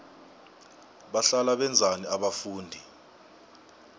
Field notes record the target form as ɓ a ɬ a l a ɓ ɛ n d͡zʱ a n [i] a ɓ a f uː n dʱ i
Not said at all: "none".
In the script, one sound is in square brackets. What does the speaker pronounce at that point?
i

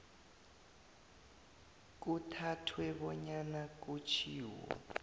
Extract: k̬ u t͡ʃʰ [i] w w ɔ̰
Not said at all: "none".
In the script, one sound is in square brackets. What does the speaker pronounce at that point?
iː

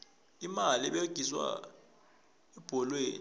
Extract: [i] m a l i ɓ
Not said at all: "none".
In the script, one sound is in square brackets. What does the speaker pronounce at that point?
i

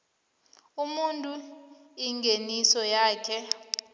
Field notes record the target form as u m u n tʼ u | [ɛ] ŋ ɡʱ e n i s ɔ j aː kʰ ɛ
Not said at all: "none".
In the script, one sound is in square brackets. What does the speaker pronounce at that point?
i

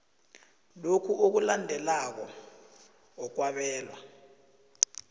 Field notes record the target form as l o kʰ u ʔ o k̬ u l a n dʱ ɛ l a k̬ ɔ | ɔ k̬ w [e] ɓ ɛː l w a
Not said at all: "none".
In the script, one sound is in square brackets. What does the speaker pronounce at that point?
a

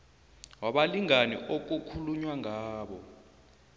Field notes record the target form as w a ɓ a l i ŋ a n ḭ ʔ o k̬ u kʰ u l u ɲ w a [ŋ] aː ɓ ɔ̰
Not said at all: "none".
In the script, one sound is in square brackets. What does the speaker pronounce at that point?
ŋ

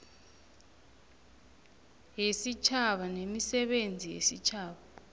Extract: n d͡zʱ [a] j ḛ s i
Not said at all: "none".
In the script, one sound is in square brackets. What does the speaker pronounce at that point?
i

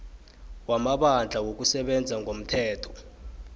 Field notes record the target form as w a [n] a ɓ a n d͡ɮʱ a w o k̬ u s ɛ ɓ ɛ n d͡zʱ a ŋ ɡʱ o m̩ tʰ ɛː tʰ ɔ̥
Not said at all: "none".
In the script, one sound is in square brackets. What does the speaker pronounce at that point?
m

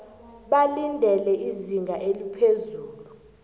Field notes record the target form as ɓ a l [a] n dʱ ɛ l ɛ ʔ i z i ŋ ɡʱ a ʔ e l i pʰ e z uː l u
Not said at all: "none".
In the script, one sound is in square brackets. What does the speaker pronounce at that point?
i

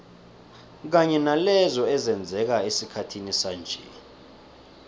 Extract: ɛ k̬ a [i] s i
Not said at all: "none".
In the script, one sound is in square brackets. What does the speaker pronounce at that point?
e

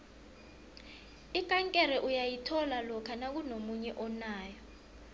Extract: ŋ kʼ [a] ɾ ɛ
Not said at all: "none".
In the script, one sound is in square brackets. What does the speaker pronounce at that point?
ɛ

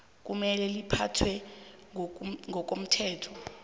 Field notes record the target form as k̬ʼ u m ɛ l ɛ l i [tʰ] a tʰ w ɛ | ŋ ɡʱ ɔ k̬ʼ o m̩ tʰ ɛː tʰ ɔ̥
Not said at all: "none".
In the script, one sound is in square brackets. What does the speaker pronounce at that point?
pʰ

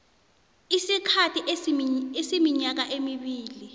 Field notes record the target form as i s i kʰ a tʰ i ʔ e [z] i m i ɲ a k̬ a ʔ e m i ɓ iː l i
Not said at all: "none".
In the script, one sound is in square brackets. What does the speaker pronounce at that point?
s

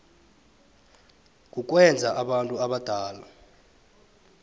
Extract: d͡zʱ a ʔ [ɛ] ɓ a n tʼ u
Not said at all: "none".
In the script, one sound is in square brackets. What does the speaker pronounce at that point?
a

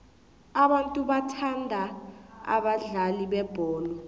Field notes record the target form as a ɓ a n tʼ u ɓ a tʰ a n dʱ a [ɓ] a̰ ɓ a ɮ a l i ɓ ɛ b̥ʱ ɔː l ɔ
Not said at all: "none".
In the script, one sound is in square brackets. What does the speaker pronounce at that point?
none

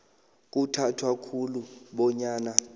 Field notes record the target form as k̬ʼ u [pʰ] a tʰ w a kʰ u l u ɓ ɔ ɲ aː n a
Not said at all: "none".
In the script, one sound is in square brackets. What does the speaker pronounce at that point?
tʰ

